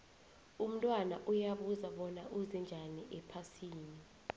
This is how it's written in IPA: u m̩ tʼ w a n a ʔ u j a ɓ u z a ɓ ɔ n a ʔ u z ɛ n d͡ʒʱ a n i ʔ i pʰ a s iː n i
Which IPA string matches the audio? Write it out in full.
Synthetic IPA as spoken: u m̩ tʼ w a n a ʔ u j a ɓ u z a ɓ ɔ n a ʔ u z ɛ n d͡ʒʱ a n i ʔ ɛ pʰ a s iː n i